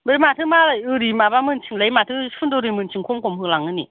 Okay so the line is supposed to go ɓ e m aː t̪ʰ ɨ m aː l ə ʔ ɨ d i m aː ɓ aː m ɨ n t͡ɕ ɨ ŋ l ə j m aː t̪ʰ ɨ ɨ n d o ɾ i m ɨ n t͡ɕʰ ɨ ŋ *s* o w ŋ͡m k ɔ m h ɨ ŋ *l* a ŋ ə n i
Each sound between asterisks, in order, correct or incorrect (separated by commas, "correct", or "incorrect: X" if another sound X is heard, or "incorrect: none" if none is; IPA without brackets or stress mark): incorrect: x, correct